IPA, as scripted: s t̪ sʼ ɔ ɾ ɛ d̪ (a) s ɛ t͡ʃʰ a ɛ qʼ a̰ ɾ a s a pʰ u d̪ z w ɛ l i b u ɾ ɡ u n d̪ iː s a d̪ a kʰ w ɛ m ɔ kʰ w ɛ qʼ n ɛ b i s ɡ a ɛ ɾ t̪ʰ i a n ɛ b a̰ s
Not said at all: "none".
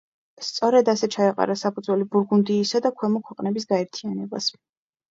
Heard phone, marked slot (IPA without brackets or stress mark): a